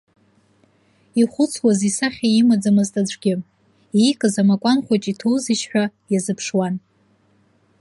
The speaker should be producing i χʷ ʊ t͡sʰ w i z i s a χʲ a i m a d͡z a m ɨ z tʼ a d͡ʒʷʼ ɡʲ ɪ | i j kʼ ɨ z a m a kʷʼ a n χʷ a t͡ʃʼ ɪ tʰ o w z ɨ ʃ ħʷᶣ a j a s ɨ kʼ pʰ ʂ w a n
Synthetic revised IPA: i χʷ ʊ t͡sʰ w a z i s a χʲ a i m a d͡z a m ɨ z tʼ a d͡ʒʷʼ ɡʲ ɪ | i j kʼ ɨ z a m a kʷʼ a n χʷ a t͡ʃʼ i tʰ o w z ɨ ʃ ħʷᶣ a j a z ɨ pʰ ʂ w a n